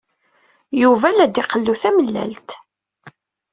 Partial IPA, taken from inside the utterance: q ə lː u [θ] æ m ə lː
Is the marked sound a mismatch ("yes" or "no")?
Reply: no